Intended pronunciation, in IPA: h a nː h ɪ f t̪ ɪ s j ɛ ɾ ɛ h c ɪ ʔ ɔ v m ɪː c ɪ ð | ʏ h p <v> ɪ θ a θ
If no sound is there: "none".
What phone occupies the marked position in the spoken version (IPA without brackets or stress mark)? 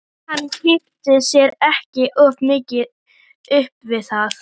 v